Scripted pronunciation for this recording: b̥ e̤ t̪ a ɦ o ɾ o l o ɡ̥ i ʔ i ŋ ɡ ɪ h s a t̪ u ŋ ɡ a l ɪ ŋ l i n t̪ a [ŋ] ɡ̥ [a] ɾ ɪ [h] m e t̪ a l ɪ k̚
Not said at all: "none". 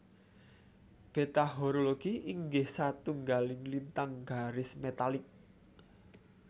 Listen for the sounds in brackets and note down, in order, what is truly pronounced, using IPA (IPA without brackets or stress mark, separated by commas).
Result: ŋ, a, s